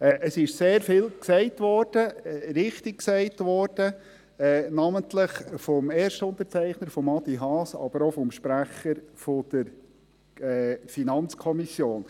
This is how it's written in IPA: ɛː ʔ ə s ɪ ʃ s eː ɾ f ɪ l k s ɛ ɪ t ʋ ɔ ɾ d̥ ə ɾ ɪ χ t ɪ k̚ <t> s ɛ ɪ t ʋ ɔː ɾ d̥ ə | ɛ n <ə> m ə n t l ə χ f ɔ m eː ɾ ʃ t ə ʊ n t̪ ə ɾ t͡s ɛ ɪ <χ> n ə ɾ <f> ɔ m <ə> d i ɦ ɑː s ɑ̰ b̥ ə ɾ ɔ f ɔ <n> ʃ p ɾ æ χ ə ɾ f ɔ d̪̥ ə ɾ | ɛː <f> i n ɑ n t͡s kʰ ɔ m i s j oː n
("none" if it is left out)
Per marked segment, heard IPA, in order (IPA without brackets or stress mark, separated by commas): k, ɑ, χ, f, ɑ, m, f